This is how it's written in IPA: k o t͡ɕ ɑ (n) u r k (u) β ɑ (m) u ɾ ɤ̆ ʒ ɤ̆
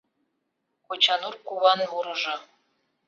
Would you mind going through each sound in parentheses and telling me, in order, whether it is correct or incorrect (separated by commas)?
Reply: correct, correct, incorrect